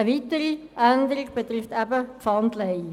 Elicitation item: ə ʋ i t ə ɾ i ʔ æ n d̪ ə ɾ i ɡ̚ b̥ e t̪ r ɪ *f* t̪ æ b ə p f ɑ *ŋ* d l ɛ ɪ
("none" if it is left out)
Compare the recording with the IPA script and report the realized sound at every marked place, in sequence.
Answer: f, n

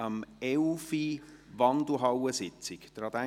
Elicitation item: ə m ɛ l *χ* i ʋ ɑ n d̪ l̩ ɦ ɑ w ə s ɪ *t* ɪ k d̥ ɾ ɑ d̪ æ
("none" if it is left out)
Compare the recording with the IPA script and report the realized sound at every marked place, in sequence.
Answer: f, t͡s

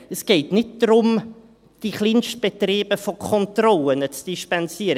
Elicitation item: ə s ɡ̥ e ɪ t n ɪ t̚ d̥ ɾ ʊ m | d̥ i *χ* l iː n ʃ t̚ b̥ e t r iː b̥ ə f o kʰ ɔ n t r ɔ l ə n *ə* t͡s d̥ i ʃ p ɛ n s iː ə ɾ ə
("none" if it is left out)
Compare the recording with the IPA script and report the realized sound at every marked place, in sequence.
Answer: χ, ə

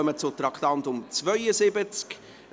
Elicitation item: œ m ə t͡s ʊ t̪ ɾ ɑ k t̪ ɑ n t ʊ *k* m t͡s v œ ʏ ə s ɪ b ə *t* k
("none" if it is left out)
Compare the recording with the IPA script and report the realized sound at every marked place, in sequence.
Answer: none, t͡s

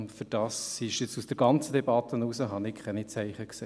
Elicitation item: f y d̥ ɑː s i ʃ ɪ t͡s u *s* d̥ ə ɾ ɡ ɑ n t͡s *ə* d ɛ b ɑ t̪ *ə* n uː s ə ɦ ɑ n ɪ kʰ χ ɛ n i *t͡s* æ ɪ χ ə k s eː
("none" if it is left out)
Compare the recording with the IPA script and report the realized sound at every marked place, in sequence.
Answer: s, ə, ə, t͡s

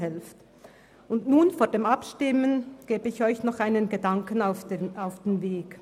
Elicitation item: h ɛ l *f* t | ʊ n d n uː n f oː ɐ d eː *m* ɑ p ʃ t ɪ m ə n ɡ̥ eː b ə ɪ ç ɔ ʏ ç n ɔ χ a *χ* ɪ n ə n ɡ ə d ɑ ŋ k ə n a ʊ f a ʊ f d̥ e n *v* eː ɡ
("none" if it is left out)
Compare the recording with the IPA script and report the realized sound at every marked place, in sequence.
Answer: f, m, none, v

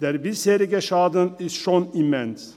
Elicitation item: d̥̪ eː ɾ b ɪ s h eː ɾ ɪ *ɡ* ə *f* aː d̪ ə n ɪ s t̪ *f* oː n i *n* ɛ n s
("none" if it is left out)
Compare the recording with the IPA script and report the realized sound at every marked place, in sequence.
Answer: ɡ, ʃ, ʃ, m

